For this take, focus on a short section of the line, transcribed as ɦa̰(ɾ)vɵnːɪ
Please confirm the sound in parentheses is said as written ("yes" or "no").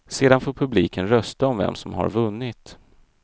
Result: yes